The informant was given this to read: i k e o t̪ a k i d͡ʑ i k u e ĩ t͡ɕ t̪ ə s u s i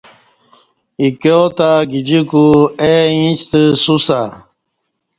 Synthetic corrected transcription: i k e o t̪ a ɡ i d͡ʑ i k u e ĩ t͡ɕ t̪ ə s u s a